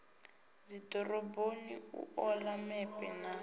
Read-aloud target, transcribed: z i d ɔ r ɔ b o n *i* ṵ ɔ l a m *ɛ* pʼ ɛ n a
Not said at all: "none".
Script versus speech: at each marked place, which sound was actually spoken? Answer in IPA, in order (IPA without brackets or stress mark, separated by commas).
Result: i, ɛ